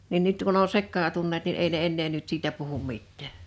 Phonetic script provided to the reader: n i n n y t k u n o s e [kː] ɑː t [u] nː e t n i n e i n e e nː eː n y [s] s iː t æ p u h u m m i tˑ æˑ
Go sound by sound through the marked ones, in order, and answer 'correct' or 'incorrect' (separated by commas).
correct, correct, incorrect